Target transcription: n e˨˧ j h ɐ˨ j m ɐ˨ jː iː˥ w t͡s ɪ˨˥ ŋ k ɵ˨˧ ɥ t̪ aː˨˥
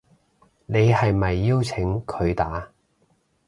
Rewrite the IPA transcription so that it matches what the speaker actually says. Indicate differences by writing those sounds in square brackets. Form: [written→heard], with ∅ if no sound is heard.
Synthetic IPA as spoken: n e˨˧ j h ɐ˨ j m ɐ˨ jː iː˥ w [t͡s→t͡sʰ] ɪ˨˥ ŋ [k→kʰ] ɵ˨˧ ɥ t̪ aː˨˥